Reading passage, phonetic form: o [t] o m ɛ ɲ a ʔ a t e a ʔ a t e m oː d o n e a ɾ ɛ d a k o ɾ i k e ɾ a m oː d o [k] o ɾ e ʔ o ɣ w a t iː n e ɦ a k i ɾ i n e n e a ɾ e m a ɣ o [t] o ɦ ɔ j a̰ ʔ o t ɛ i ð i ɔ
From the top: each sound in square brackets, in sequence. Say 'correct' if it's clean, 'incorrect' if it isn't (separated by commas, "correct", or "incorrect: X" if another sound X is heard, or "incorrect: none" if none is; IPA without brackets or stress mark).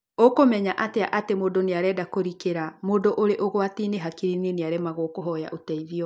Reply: incorrect: k, incorrect: ʔ, incorrect: k